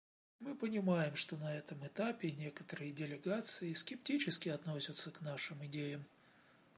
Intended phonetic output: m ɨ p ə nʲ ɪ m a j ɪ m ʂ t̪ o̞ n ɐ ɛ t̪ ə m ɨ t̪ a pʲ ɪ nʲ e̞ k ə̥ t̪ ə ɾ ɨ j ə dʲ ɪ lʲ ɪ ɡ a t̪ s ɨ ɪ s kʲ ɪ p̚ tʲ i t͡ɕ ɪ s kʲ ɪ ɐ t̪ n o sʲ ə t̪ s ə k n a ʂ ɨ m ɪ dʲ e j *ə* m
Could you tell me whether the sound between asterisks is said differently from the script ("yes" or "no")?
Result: no